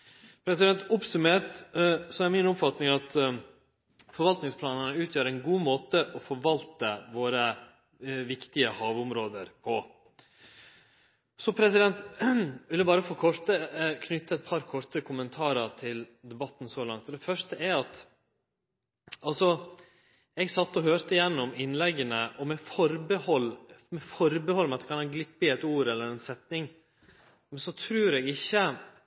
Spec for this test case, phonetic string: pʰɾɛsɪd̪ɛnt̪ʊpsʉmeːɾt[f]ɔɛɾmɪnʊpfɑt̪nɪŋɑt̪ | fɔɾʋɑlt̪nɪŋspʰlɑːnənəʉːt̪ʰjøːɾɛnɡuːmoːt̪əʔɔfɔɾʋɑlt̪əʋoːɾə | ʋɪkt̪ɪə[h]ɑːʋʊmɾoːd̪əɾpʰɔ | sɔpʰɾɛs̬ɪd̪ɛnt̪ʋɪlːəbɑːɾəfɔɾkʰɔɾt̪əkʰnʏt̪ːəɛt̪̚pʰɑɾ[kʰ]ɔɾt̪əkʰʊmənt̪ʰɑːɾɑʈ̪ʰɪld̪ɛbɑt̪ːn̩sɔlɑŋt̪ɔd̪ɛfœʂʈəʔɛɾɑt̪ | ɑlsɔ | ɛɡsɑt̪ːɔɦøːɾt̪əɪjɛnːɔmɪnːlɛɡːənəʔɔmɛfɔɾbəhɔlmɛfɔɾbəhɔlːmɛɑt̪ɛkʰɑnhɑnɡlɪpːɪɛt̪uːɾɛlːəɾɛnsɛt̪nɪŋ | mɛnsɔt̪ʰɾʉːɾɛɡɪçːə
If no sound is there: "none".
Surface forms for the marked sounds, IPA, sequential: s, h, kʰ

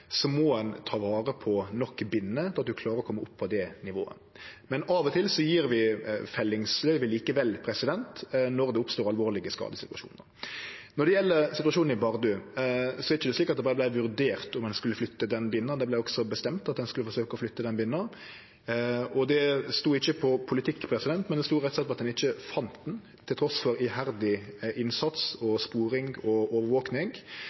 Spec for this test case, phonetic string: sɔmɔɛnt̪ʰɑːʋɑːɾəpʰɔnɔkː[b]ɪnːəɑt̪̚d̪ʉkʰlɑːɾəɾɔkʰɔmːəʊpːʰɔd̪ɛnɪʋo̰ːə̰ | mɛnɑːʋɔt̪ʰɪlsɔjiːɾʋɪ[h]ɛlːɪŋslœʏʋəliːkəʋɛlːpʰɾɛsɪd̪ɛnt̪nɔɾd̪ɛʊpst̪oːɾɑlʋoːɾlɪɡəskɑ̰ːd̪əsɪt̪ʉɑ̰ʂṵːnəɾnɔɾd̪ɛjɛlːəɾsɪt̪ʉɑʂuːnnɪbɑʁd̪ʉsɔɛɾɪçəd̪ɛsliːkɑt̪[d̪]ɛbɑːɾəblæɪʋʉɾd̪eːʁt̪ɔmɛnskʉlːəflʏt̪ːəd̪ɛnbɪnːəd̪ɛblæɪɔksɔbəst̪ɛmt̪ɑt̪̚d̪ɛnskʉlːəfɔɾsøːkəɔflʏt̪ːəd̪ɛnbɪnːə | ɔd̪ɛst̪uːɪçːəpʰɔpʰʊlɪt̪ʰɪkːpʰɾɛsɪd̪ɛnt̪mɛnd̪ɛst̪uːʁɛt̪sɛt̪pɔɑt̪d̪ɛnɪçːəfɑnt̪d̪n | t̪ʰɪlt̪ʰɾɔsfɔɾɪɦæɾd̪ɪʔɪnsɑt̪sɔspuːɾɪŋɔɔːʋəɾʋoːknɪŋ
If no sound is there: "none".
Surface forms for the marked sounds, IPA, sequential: b, f, d̪

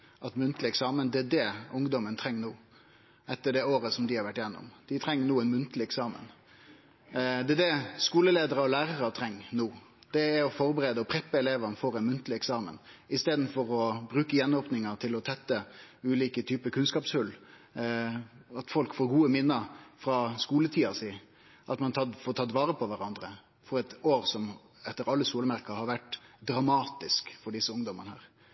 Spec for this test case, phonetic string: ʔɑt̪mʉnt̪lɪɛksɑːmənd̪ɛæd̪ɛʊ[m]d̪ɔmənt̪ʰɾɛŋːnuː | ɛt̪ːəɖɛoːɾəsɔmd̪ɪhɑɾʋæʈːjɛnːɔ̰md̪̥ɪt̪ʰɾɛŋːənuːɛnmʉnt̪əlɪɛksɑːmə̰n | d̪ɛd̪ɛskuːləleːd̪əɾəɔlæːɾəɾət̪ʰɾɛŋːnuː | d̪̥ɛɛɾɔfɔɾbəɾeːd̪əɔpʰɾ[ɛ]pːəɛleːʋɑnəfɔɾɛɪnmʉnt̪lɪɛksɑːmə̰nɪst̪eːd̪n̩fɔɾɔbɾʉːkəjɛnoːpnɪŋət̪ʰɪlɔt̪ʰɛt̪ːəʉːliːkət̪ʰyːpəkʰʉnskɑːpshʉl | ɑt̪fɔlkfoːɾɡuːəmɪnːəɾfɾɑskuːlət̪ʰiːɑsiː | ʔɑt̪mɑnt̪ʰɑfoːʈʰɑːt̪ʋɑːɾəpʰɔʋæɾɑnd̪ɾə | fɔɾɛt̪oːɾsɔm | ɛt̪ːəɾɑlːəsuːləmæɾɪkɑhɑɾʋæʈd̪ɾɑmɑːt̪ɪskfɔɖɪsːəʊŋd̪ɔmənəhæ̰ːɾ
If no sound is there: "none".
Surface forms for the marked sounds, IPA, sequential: ŋ, ɛ

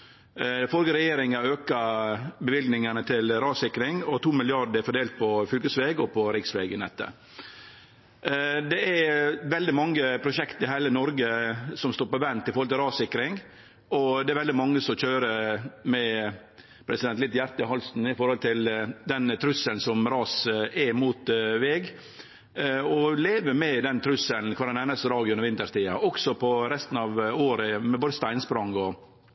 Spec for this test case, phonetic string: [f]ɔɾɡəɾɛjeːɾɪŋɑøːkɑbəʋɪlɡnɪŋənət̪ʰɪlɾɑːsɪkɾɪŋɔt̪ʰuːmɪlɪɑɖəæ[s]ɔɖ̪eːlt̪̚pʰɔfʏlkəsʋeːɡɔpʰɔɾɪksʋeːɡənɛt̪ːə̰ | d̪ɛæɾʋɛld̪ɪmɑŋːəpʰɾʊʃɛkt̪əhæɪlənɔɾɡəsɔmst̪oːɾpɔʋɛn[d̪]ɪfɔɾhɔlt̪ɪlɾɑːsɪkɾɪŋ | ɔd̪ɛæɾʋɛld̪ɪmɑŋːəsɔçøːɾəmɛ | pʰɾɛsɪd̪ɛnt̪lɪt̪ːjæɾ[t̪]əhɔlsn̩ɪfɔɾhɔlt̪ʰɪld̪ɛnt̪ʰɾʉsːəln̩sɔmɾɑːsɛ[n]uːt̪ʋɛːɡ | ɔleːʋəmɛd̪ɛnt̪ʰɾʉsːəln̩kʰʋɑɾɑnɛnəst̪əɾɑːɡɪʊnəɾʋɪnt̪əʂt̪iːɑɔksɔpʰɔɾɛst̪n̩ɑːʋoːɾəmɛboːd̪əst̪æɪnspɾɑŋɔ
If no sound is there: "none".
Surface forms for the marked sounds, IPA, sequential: f, f, t̪, t̪, m

